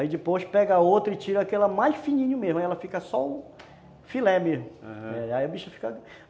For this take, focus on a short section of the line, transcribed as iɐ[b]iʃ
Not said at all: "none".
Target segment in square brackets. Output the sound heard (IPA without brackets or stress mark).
b